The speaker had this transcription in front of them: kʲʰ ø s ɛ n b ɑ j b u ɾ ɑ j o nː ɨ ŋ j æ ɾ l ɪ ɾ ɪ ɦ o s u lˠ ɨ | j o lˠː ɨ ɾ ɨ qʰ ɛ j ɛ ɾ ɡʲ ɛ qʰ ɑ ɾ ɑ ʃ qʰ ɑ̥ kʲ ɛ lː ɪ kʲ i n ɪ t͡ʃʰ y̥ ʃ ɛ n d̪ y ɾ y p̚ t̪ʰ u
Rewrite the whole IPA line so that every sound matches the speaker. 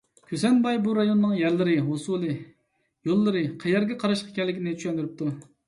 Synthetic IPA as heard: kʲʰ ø s ɛ n b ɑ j b u ɾ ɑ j o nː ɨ ŋ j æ ɾ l ɪ ɾ ɪ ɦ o s u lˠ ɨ | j o lˠː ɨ ɾ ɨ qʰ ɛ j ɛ ɾ ɡʲ ɛ qʰ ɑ ɾ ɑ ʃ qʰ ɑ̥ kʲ ɛ lː ɪ kʲ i n ɪ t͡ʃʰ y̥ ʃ ɛ n d̪ y ɾ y p̚ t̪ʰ u